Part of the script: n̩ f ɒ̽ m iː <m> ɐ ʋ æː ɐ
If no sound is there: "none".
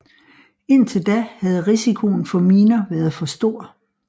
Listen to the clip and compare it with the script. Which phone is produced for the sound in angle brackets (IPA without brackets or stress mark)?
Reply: n